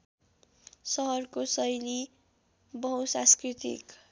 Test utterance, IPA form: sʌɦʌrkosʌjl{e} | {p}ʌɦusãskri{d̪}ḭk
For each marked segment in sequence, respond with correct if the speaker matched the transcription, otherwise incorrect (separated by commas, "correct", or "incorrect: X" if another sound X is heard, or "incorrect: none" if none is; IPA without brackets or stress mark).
incorrect: i, incorrect: b, incorrect: t̪